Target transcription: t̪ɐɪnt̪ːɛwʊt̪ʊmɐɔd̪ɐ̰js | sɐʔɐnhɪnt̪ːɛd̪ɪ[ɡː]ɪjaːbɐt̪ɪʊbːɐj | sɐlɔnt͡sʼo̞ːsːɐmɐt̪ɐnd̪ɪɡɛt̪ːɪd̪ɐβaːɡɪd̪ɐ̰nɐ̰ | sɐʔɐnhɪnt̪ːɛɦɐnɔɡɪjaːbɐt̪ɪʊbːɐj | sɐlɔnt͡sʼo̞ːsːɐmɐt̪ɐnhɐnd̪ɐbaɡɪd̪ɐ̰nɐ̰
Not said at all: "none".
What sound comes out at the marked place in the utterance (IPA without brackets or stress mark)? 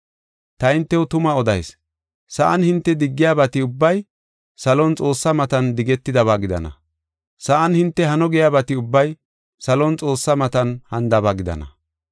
ɡː